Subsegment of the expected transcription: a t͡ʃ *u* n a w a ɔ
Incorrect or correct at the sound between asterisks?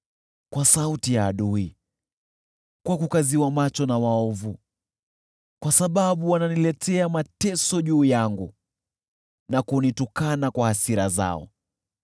incorrect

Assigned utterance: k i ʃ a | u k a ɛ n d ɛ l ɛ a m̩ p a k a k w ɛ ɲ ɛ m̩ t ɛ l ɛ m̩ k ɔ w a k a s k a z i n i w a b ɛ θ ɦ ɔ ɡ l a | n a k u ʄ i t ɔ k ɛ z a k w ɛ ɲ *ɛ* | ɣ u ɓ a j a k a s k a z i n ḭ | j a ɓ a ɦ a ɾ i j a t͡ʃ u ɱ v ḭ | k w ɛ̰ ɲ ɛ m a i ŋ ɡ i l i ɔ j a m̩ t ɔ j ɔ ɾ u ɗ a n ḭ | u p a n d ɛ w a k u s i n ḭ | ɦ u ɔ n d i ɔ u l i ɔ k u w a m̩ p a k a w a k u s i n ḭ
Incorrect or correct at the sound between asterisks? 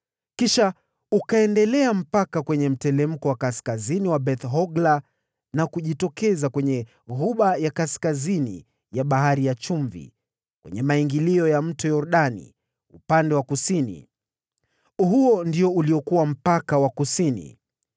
correct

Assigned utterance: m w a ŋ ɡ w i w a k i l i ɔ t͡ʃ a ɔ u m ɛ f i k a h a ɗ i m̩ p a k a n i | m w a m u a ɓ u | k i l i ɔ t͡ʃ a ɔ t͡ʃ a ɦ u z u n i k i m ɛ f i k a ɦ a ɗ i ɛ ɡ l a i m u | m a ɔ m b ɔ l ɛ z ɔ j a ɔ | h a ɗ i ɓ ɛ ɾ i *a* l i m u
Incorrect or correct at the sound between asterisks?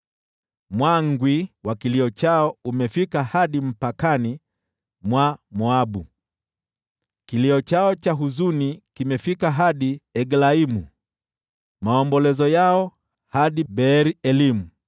incorrect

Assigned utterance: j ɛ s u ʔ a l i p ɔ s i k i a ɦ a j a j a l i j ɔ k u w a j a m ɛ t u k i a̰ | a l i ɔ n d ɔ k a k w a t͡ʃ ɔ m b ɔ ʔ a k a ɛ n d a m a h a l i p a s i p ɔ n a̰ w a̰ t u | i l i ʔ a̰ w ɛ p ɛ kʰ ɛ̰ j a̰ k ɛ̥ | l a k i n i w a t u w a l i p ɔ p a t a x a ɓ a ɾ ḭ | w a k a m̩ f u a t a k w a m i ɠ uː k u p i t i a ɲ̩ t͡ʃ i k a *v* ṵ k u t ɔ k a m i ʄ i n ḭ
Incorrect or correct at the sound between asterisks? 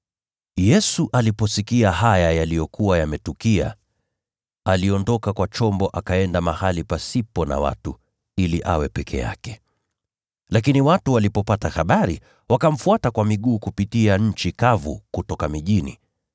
correct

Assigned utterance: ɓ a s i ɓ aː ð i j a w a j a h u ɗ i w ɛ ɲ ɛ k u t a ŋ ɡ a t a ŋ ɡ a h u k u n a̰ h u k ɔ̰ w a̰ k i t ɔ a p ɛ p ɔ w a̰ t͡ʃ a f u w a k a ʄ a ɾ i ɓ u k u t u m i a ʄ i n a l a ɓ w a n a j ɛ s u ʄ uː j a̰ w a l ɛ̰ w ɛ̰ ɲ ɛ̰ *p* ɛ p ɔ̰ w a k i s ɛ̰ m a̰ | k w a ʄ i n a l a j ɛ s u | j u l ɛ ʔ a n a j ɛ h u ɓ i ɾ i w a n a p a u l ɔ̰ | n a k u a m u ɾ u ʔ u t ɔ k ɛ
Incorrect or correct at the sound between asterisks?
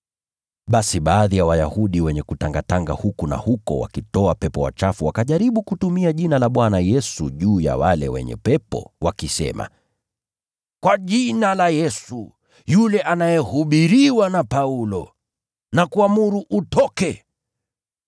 correct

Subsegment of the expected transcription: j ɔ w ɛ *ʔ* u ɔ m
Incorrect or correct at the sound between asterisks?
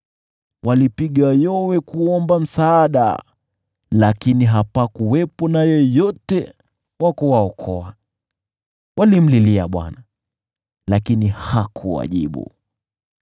incorrect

